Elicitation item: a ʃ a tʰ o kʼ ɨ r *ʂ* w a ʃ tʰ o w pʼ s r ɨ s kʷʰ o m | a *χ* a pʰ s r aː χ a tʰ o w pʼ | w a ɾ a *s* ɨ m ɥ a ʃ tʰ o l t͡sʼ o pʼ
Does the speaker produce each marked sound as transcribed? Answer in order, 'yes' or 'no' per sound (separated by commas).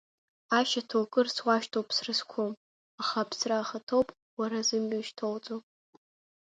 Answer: no, yes, no